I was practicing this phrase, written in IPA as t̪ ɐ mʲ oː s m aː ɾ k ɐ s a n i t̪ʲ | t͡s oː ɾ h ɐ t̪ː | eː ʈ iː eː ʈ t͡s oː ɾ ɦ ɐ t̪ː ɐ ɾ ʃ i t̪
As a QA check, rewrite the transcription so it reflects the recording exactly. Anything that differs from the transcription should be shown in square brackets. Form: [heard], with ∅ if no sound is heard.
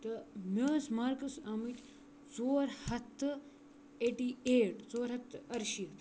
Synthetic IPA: t̪ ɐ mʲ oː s m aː ɾ k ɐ s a [m] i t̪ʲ | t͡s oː ɾ h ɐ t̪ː | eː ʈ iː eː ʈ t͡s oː ɾ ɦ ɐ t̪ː ɐ ɾ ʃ i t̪